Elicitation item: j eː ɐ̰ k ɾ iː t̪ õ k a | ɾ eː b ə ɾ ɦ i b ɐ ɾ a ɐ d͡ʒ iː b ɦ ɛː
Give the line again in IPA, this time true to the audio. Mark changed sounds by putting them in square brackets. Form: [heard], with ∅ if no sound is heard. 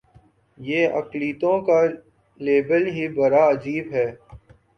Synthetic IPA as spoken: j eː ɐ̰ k [l] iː t̪ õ k a | [l] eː b ə [l] ɦ i b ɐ ɾ a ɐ d͡ʒ iː b ɦ ɛː